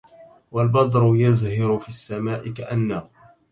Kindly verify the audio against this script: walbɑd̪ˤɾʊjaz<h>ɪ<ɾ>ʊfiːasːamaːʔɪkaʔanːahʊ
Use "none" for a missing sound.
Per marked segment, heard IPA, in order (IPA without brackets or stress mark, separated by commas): h, ɾ